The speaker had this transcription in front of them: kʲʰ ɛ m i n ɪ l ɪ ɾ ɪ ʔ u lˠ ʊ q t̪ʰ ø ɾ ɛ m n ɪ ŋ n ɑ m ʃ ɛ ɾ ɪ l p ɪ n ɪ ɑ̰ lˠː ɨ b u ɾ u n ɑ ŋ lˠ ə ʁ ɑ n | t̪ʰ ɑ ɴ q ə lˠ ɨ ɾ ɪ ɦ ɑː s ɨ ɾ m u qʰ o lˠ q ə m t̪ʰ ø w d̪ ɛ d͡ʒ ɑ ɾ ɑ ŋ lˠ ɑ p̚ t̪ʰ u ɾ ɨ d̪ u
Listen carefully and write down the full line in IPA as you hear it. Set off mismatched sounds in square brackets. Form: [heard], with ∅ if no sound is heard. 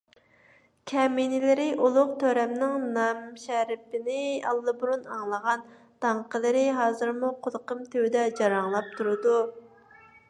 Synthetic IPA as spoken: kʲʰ ɛ m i n ɪ l ɪ ɾ ɪ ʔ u lˠ ʊ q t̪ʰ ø ɾ ɛ m n ɪ ŋ n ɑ m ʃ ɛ ɾ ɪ [∅] p ɪ n ɪ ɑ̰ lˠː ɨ b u ɾ u n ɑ ŋ lˠ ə ʁ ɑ n | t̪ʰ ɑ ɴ q ə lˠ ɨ ɾ ɪ ɦ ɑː [z] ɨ ɾ m u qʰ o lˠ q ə m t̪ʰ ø w d̪ ɛ d͡ʒ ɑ ɾ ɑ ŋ lˠ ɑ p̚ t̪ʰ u ɾ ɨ d̪ u